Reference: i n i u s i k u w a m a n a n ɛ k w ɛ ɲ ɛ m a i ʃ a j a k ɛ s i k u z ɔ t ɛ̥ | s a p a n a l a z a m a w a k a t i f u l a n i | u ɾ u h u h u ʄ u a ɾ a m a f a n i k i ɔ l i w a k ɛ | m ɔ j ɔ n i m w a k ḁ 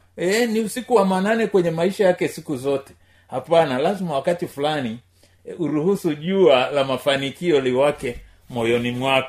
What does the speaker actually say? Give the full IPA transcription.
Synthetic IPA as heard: ɛ n i u s i k u w a m a n a n ɛ k w ɛ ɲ ɛ m a i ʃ a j a k ɛ s i k u z ɔ t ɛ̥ | h a p a n a l a z i m a w a k a t i f u l a n i | u ɾ u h u s u ʄ u a l a m a f a n i k i ɔ l i w a k ɛ | m ɔ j ɔ n i m w a k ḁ